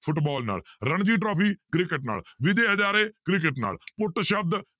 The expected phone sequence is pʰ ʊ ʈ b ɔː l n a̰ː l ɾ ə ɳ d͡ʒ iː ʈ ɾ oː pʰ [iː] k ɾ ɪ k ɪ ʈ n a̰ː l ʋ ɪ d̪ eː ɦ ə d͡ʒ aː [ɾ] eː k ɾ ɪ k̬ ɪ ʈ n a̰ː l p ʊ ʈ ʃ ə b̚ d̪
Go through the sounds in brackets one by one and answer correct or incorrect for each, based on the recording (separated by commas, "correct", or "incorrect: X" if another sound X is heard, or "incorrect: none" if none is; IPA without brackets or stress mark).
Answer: correct, correct